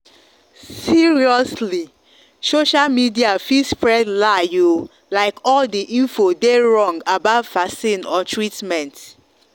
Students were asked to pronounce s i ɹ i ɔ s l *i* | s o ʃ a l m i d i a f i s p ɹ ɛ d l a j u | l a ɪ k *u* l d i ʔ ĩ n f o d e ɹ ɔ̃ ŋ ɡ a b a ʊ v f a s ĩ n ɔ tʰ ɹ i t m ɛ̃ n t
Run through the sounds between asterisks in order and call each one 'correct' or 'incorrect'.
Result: correct, incorrect: ɔ

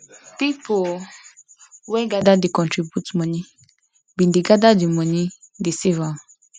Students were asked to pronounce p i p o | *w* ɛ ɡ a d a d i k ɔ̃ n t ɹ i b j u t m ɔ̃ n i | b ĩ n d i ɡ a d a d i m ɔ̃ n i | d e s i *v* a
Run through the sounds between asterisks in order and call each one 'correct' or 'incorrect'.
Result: correct, correct

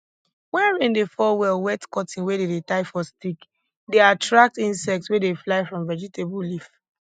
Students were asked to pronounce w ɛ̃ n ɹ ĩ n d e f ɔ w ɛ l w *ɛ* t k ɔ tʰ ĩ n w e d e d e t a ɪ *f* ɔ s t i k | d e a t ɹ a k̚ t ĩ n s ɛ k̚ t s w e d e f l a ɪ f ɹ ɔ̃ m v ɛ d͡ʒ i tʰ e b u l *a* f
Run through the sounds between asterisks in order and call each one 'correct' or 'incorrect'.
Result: correct, correct, incorrect: i

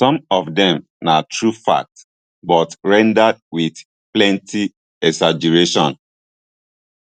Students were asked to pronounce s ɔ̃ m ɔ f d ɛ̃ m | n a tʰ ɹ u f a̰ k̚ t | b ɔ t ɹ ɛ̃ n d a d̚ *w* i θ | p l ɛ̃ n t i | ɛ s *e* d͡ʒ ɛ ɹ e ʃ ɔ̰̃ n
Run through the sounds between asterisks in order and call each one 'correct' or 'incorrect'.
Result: correct, incorrect: a

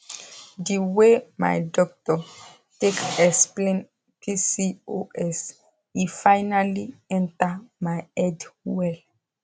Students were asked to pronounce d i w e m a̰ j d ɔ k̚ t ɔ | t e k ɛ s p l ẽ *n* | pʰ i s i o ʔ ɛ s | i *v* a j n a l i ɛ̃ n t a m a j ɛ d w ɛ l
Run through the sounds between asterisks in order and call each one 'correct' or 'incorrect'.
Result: correct, incorrect: f

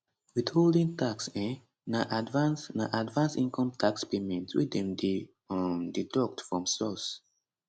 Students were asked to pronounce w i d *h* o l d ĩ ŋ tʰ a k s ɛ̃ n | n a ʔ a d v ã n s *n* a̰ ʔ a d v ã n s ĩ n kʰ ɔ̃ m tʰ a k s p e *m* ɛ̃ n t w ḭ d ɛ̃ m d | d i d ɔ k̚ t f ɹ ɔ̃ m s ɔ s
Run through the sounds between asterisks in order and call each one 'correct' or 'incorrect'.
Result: correct, correct, correct

